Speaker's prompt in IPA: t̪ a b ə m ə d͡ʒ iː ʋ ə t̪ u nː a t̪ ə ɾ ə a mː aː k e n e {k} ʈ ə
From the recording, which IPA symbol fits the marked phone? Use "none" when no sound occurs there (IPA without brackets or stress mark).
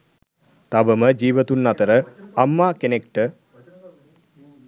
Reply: k